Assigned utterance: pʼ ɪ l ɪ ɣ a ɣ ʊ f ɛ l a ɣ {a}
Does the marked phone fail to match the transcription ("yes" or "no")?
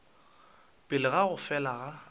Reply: no